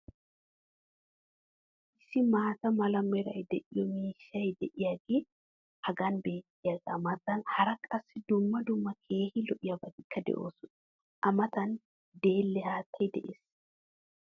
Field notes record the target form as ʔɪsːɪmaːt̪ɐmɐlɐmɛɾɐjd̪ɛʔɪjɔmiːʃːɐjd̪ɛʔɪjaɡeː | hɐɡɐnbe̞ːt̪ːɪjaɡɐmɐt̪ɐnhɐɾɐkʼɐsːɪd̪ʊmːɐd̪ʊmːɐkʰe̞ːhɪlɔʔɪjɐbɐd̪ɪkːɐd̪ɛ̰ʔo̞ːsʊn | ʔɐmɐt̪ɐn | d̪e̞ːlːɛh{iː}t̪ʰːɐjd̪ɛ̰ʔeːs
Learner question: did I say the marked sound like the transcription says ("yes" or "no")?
no